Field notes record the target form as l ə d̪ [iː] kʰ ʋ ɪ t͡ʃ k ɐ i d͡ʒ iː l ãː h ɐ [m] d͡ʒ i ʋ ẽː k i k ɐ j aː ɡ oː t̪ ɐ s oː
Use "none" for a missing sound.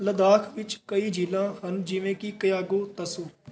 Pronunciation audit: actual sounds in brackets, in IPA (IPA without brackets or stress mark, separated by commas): aː, n